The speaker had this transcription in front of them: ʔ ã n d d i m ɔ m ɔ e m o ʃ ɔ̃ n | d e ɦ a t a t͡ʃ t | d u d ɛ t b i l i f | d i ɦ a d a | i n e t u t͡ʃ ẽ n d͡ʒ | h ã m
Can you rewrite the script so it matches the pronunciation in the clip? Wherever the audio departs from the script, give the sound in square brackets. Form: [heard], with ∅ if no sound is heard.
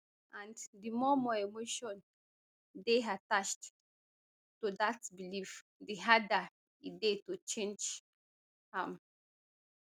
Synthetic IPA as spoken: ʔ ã n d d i m ɔ m ɔ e m o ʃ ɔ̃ n | d e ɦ a t a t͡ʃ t | [t] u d [a] t b i l i f | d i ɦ a d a | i [d] e t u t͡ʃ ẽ n d͡ʒ | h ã m

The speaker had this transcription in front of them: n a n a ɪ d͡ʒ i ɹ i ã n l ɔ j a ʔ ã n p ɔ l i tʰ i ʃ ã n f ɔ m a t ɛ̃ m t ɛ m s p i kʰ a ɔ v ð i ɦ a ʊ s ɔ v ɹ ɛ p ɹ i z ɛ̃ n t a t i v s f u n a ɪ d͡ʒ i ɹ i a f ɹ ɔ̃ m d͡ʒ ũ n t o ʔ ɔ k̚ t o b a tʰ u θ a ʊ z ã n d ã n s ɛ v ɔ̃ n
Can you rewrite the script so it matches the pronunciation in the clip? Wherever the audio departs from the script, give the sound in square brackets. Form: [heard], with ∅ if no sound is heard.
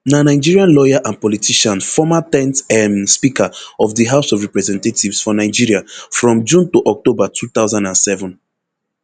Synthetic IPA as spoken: n a n a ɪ d͡ʒ i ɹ i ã n l ɔ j a ʔ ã n p ɔ l i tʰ i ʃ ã n f ɔ m a t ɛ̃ [n] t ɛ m s p i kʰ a ɔ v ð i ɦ a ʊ s ɔ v ɹ ɛ p ɹ [ɛ] z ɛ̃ n t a t i v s f [ɔ] n a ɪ d͡ʒ i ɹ i a f ɹ ɔ̃ m d͡ʒ ũ n t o ʔ ɔ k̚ t o b a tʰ u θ a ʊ z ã n d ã n s ɛ v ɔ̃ n

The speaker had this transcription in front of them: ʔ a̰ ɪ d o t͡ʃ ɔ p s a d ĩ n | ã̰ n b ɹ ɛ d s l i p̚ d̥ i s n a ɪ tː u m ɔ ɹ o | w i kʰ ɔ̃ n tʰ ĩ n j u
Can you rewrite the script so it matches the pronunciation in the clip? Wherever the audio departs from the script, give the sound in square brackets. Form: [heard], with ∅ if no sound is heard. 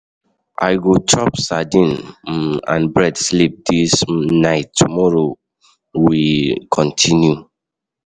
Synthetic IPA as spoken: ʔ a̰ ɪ [ɡ] o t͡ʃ ɔ p s a d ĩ n | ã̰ n b ɹ ɛ d s l i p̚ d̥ i s n a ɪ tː u m ɔ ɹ o | w i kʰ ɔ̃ n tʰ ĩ n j u

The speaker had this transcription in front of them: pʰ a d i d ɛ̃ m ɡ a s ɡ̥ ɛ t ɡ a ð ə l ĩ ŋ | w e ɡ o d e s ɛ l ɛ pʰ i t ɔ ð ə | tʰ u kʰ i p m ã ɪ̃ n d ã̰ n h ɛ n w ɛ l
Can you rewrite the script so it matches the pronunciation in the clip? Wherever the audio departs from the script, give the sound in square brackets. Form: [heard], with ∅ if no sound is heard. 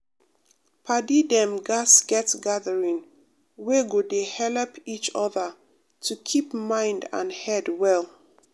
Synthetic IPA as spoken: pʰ a d i d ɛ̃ m ɡ a s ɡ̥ ɛ t ɡ a ð ə [ɹ] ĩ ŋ | w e ɡ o d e [h] ɛ l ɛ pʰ i [t͡ʃ] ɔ ð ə | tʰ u kʰ i p m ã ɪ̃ n d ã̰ n h ɛ [d] w ɛ l

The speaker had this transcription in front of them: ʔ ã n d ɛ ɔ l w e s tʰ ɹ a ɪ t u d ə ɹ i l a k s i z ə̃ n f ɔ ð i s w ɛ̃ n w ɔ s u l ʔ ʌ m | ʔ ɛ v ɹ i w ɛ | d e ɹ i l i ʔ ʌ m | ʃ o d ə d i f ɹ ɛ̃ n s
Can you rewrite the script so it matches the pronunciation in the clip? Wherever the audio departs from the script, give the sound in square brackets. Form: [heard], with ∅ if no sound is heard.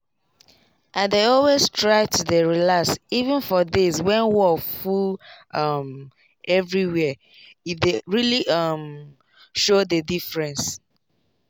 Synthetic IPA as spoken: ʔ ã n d [e] ɔ l w e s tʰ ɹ a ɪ t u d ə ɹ i l a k s i [v] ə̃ n f ɔ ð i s w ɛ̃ n w ɔ [f] u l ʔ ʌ m | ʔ ɛ v ɹ i w ɛ | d e ɹ i l i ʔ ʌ m | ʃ o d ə d i f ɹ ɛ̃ n s

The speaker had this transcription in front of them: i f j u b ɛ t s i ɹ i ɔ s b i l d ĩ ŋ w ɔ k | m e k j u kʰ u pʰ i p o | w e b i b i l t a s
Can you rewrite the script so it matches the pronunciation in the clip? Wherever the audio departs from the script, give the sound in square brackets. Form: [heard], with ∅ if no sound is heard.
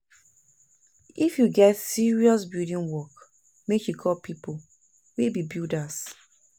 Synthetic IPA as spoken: i f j u [ɡ] ɛ t s i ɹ i ɔ s b i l d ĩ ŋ w ɔ k | m e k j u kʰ [ɔ] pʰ i p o | w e b i b i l [d] a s

